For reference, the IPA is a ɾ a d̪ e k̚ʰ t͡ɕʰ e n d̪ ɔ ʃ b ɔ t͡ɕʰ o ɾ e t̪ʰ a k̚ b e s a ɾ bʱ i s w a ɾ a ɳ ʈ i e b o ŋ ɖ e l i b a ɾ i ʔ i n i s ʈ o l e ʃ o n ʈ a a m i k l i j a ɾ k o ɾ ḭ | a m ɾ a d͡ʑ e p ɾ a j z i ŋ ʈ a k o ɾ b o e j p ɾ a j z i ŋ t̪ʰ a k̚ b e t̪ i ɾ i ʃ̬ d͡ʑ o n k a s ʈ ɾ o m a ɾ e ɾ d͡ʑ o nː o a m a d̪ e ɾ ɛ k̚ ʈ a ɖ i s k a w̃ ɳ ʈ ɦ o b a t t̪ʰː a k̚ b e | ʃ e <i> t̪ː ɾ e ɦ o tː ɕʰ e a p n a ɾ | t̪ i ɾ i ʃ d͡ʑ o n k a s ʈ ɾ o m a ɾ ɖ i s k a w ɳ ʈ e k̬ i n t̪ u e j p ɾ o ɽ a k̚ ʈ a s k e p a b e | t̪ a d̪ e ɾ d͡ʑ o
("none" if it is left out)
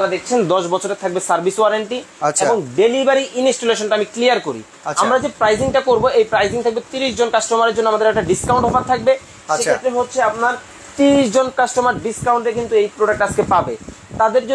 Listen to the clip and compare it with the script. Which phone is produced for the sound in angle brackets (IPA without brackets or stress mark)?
e